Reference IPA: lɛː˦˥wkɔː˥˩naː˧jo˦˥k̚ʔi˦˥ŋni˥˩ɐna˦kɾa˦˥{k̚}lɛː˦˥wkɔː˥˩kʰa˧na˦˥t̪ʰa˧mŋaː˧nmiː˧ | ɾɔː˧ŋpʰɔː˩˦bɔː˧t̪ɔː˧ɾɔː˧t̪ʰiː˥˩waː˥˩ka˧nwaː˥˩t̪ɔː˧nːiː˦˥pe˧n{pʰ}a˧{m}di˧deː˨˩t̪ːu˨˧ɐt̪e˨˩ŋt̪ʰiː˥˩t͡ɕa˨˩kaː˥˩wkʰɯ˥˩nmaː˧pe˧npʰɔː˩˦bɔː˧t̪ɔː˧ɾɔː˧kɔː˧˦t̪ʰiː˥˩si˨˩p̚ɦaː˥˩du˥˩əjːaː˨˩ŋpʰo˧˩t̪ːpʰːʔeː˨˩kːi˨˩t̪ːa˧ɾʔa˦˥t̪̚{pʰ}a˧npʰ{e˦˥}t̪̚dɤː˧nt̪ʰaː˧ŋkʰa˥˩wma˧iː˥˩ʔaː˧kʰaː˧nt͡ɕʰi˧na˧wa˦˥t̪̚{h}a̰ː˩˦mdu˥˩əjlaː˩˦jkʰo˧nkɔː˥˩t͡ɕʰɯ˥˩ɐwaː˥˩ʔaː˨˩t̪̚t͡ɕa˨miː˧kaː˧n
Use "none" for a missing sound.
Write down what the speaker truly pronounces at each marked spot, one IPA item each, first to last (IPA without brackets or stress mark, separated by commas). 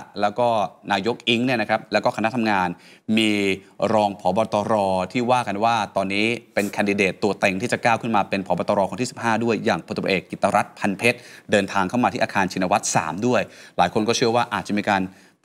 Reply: p̚, kʰ, n, pʰ, e˦˥, s